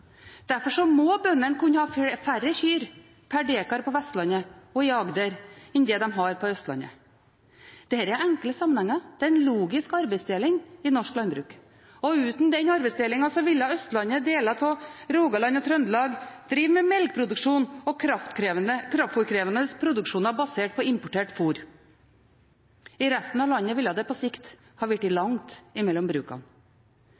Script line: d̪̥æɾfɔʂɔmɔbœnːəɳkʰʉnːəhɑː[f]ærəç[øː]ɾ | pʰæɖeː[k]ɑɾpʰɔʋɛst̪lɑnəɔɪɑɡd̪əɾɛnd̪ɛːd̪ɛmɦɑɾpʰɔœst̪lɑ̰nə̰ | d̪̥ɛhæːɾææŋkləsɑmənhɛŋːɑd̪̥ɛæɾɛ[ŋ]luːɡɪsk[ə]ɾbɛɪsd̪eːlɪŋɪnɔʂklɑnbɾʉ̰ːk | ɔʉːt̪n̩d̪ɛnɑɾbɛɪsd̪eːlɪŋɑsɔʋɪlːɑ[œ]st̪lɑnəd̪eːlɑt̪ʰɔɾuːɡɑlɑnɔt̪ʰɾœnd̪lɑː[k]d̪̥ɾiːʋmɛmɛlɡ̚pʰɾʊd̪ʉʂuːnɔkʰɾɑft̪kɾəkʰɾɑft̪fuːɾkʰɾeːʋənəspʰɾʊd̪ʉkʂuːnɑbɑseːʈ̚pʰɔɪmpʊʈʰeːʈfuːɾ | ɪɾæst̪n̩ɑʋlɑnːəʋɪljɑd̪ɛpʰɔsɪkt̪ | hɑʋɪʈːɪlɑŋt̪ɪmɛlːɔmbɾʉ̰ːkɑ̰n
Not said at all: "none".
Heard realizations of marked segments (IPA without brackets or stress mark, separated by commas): f, yː, k, n, ɑ, œ, ɡ